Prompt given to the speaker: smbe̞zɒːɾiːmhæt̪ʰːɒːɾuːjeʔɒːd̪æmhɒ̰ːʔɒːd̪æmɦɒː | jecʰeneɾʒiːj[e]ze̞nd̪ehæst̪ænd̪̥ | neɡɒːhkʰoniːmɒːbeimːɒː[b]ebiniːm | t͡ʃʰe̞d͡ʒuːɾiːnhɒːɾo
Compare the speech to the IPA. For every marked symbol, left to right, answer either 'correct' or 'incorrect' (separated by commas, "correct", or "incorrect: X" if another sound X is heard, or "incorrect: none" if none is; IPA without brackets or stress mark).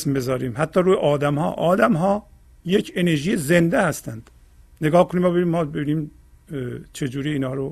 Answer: correct, correct